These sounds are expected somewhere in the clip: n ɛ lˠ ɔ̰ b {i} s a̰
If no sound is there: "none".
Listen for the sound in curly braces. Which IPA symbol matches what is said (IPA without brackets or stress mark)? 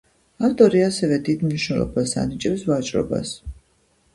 a